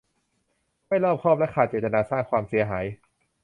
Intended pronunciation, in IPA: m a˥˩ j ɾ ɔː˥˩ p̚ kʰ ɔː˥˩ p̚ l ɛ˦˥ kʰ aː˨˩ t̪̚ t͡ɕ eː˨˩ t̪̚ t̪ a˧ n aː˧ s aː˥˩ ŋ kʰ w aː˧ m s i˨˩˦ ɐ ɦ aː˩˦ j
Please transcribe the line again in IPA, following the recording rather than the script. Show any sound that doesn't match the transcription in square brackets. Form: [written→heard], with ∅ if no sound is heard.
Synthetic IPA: m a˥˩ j [ɾ→l] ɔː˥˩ p̚ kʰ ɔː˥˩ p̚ l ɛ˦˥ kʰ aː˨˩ t̪̚ t͡ɕ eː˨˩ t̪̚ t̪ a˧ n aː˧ s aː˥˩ ŋ kʰ w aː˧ m s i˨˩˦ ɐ ɦ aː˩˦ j